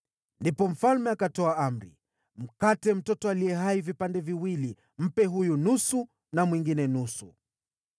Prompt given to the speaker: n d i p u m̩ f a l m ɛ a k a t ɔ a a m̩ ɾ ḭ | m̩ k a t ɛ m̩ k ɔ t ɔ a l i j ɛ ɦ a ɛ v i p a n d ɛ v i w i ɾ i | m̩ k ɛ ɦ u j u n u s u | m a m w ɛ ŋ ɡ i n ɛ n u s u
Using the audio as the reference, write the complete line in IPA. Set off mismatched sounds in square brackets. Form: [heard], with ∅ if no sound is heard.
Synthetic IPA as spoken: n d i p [ɔ] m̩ f a l m ɛ a k a t ɔ a a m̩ ɾ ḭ | m̩ k a t ɛ m̩ [t] ɔ t ɔ a l i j ɛ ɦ a [i] v i p a n d ɛ v i w i [l] i | m̩ [p] ɛ ɦ u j u n u s u | [n] a m w [i] ŋ ɡ i n ɛ n u s u